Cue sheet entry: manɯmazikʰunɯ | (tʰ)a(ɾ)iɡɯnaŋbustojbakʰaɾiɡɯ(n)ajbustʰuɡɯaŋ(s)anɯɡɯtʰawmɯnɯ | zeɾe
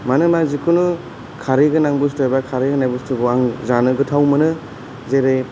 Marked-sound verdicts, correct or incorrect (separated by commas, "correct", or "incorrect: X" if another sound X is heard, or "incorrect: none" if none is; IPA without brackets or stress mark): incorrect: kʰ, correct, correct, incorrect: z